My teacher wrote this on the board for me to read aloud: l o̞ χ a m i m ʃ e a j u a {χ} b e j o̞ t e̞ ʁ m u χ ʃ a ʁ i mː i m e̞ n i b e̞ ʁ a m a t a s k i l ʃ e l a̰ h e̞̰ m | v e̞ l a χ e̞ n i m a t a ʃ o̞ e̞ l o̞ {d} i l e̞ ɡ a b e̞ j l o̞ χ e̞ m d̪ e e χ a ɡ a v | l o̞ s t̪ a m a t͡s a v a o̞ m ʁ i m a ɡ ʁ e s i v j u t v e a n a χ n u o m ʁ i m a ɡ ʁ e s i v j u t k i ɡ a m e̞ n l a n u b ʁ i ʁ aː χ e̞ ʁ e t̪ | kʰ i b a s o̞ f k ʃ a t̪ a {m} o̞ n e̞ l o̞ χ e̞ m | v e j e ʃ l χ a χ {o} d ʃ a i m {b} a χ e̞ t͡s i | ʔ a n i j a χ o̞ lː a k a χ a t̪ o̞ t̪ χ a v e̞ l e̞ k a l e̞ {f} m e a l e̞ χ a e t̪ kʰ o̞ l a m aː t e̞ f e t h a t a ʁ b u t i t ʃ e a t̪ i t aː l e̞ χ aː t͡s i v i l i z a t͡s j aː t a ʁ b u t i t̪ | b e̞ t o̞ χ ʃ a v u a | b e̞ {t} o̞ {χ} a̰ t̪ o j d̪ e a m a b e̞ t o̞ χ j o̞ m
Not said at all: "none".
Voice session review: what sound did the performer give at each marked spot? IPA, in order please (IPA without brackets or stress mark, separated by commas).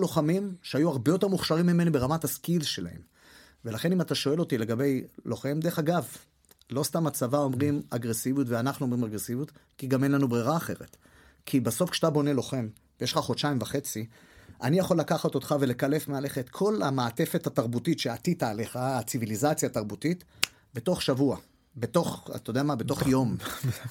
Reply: ʁ, t, b, o, v, f, t, χ